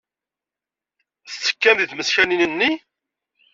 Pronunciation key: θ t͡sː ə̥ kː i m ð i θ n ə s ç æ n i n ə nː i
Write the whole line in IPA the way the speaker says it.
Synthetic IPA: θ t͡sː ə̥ kː æ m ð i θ m ə s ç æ n i n ə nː i